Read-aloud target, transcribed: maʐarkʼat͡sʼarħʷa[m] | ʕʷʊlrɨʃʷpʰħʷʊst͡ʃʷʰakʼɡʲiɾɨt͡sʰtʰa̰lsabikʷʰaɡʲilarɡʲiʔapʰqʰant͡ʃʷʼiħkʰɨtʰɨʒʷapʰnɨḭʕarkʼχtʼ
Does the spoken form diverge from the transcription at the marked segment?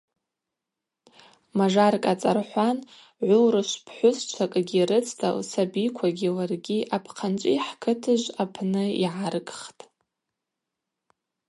yes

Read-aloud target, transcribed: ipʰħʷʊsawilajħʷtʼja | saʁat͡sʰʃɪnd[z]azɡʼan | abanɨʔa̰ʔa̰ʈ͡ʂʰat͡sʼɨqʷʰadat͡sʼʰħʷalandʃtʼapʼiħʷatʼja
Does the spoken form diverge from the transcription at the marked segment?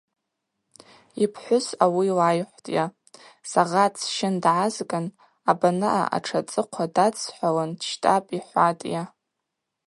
yes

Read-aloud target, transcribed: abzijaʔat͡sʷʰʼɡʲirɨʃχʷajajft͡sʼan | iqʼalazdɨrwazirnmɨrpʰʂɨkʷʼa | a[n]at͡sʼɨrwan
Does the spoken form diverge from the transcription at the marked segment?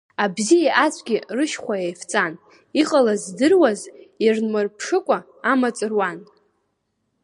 yes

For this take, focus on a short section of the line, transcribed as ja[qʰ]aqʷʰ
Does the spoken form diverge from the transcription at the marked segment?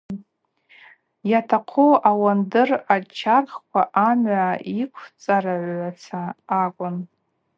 yes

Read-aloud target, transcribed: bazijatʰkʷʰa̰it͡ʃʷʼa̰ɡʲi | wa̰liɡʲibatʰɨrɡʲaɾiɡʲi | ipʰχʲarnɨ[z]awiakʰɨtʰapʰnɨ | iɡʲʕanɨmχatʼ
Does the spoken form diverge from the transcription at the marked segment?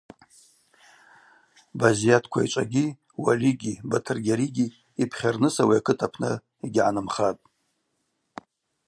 yes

